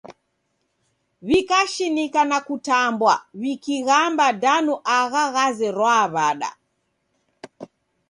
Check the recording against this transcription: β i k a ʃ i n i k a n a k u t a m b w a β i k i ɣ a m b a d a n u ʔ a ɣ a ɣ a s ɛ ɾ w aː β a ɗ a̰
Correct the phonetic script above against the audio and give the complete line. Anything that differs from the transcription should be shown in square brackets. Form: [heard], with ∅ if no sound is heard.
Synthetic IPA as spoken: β i k a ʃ i n i k a n a k u t a m b w a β i k i ɣ a m b a d a n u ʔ a ɣ a ɣ a [z] ɛ ɾ w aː β a ɗ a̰